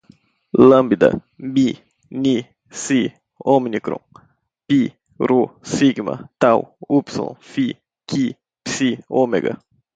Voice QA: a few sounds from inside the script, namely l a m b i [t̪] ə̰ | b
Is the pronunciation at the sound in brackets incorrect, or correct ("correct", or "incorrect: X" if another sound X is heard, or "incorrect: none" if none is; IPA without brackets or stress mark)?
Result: incorrect: d̪